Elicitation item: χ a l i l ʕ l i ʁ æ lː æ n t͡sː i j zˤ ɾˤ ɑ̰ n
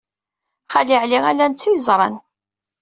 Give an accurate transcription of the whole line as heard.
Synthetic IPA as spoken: χ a l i ʕ l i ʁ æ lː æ n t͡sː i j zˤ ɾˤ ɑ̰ n

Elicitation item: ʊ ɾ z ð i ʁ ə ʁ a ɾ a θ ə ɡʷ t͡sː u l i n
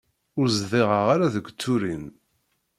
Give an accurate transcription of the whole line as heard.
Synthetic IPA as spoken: ʊ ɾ z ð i ʁ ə ʁ a ɾ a ð ə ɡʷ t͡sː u ɾ i n

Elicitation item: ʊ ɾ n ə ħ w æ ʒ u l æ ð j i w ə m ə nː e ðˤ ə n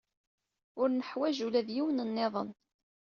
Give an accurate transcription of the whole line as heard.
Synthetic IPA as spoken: ʊ ɾ n ə ħ w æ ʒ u l æ ð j i w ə n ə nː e ðˤ ə n

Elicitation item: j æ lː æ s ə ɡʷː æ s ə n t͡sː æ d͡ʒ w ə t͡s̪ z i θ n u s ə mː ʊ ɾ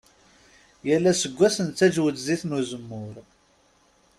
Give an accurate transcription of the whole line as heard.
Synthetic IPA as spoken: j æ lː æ s ə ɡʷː æ s ə n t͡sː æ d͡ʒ w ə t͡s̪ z i θ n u z ə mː ʊ ɾ

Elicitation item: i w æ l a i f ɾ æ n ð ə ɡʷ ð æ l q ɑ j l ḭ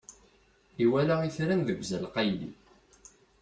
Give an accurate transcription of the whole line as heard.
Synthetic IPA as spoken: i w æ l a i θ ɾ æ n ð ə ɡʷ z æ l q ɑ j l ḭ

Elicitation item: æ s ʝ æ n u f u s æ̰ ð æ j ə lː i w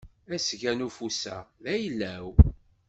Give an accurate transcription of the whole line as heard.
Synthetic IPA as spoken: æ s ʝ æ n u f u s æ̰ ð æ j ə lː æ w

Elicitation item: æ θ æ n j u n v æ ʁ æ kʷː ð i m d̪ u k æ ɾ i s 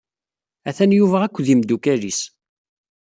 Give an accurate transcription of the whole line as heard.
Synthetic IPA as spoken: æ θ æ n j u v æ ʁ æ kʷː ð i m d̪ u k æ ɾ i s

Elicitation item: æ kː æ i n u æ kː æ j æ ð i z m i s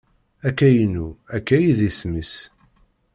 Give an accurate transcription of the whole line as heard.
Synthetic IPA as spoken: æ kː æ j n u æ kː æ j i ð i s m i s

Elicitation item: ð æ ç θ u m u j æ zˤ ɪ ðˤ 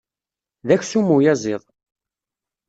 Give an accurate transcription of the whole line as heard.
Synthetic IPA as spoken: ð æ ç s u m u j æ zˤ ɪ ðˤ

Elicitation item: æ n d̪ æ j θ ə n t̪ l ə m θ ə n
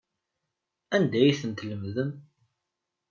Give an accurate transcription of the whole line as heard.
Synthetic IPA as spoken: æ n d̪ æ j θ ə n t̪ l ə m ð ə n

